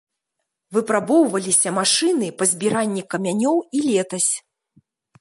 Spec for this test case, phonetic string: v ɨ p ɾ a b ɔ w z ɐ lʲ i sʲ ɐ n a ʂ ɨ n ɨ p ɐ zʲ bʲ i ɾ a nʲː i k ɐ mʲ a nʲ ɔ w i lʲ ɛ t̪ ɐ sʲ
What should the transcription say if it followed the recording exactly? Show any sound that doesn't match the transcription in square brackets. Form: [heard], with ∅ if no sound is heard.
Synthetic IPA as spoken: v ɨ p ɾ a b ɔ w [v] ɐ lʲ i sʲ ɐ [m] a ʂ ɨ n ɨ p ɐ zʲ bʲ i ɾ a nʲː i k ɐ mʲ a nʲ ɔ w i lʲ ɛ t̪ ɐ sʲ